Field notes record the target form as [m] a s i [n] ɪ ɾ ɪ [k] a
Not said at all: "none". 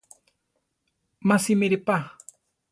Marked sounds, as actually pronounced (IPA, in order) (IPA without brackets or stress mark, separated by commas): m, m, p